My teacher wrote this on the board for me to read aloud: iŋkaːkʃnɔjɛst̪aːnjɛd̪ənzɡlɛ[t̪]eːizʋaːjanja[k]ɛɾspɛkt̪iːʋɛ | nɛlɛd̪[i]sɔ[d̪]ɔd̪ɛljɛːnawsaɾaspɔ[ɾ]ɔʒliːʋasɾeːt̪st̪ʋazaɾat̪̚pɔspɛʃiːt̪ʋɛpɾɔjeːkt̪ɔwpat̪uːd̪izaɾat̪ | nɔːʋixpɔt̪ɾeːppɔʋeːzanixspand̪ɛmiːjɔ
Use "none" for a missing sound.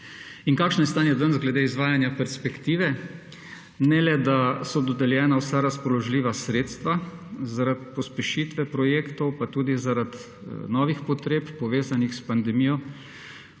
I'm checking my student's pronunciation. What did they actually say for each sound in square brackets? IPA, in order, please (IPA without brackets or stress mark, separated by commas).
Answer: d̪, p, a, d̪, l